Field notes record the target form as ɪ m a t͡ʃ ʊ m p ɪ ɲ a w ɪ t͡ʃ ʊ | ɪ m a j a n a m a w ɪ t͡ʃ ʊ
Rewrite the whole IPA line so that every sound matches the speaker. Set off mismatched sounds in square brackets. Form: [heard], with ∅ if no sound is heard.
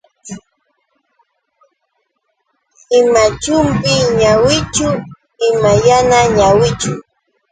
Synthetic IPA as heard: ɪ m a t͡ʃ ʊ m p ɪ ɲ a w ɪ t͡ʃ ʊ | ɪ m a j a n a [ɲ] a w ɪ t͡ʃ ʊ